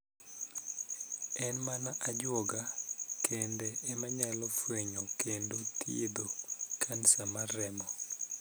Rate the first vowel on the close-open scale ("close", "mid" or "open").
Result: mid